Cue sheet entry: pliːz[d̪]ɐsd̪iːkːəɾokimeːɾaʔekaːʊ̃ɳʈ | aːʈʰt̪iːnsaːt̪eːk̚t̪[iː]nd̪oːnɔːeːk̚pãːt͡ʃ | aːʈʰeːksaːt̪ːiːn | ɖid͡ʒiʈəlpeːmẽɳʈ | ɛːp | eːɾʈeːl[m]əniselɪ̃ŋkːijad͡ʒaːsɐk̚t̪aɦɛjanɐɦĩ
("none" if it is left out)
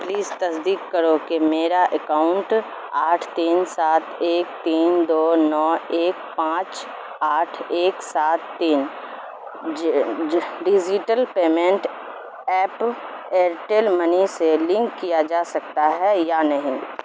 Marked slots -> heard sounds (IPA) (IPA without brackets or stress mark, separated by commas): t̪, iː, m